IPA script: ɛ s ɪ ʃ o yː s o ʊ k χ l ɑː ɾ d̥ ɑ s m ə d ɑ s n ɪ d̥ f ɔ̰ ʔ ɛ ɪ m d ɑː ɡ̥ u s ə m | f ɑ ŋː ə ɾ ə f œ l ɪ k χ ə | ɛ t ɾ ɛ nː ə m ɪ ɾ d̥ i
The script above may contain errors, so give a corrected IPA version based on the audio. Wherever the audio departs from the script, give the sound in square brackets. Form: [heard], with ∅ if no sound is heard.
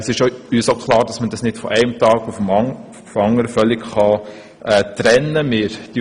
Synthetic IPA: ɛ s ɪ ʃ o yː s o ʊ k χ l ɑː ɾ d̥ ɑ s m ə d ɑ s n ɪ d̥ f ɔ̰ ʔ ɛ ɪ m [t] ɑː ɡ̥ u [f] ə m | f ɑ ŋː ə ɾ ə f œ l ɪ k χ [ɑ] | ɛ t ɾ ɛ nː ə m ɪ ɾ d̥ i